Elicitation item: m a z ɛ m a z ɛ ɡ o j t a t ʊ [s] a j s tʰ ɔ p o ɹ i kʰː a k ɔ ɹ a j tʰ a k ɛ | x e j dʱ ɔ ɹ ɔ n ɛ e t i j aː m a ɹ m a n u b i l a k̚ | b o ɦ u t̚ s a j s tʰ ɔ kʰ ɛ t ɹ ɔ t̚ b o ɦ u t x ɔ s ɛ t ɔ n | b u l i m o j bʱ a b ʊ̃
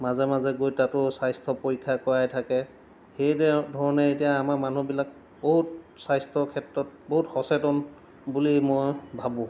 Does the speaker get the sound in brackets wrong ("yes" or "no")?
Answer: no